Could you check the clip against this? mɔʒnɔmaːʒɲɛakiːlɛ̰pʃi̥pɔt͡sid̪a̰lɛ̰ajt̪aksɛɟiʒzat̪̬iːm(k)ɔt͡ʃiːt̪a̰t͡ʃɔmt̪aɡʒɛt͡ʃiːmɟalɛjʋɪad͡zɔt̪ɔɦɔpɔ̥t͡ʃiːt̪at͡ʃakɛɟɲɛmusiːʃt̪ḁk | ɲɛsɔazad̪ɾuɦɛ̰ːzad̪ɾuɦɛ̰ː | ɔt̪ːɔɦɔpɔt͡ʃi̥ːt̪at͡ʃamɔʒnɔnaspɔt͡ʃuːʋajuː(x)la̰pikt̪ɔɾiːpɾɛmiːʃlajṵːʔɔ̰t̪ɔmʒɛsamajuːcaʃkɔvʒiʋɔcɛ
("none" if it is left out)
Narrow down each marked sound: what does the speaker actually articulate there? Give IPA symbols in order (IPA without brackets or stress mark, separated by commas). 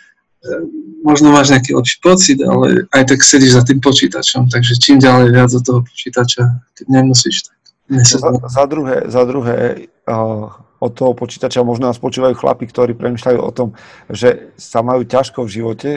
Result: p, x